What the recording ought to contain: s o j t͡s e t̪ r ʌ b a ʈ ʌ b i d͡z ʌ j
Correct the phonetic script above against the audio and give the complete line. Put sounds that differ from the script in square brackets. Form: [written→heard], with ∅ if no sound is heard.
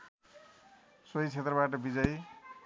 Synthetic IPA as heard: s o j [t͡s→t͡sʰ] e t̪ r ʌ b a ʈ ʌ b i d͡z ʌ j